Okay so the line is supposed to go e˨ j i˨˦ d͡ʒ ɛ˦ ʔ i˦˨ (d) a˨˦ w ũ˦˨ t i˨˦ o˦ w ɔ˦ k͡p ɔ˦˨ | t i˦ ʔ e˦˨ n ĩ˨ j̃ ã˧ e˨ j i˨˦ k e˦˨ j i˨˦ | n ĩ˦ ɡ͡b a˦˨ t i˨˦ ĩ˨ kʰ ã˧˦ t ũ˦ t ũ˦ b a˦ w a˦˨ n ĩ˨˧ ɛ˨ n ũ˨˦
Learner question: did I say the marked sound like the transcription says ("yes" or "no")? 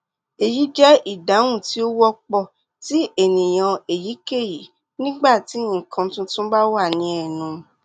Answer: yes